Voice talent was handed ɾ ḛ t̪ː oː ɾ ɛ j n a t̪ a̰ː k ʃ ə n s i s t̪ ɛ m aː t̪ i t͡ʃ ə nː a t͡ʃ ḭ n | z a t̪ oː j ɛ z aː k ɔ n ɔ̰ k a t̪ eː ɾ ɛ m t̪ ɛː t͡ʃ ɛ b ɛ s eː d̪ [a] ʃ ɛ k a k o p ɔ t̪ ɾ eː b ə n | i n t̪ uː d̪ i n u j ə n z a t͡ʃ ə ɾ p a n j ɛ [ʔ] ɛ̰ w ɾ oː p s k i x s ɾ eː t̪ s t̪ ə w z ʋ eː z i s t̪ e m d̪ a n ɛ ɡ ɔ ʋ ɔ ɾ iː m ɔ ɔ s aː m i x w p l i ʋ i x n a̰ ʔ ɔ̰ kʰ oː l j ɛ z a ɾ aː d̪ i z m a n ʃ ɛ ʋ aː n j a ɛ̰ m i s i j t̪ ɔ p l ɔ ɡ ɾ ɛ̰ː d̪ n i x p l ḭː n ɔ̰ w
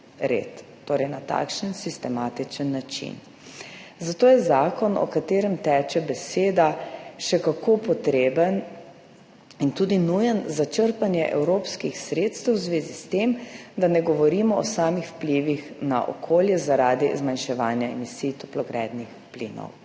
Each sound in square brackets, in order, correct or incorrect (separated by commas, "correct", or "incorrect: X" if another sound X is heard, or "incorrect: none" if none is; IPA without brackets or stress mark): correct, correct